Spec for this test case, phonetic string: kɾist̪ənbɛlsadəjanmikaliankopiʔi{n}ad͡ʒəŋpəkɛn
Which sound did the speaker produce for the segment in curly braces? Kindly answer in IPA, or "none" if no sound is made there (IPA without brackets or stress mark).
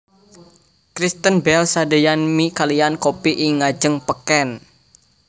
ŋ